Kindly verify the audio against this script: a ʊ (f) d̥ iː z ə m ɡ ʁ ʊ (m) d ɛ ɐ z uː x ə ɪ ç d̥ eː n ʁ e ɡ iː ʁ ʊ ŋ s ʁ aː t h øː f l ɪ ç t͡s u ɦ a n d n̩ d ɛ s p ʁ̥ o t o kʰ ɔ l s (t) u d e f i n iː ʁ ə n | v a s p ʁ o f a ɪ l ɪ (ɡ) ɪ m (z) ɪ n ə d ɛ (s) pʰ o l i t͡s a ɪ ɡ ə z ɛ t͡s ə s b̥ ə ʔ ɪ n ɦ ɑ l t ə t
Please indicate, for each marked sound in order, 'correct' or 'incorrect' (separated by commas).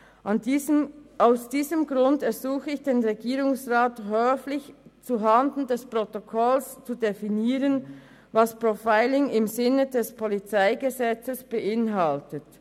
incorrect, incorrect, incorrect, incorrect, correct, correct